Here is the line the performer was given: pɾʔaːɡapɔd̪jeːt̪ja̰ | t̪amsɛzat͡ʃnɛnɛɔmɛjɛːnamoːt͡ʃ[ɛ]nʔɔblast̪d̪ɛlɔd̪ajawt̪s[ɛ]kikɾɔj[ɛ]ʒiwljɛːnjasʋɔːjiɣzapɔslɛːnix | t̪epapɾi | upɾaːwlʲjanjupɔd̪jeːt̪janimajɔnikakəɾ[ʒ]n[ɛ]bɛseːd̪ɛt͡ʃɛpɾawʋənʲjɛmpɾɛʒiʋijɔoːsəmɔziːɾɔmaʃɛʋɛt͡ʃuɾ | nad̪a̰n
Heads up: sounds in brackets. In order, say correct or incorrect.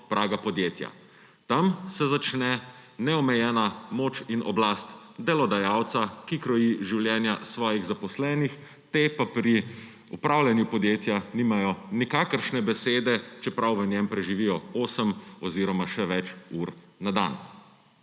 incorrect: i, incorrect: a, incorrect: i, incorrect: ʃ, correct

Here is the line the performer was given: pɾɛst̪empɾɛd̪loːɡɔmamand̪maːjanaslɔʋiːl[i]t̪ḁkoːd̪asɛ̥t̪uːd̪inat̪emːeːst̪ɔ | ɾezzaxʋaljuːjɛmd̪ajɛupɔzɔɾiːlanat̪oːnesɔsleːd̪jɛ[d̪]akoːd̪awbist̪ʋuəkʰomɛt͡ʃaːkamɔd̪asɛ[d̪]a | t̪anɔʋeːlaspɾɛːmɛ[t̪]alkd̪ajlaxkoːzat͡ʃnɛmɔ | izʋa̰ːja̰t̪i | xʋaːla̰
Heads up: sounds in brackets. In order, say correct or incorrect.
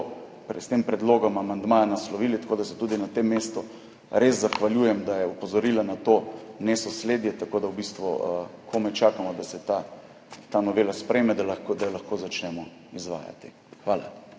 correct, incorrect: t̪, incorrect: t̪, incorrect: d̪

